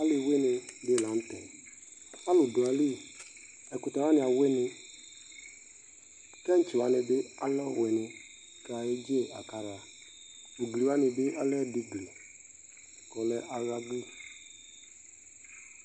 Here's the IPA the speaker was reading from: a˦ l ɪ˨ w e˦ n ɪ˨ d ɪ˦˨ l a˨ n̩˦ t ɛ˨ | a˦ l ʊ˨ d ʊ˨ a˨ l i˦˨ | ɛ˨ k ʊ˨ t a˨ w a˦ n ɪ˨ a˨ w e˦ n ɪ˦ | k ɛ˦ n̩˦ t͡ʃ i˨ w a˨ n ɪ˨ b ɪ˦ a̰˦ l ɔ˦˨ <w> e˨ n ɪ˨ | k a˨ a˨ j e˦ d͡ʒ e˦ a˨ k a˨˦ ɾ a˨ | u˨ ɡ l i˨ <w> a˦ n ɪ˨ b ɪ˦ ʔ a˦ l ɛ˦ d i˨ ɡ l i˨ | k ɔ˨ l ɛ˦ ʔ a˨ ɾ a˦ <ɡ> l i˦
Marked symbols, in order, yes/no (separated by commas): yes, yes, yes